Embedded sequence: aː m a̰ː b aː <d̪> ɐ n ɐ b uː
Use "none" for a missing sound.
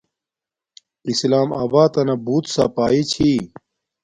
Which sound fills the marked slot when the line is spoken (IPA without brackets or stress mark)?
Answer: t̪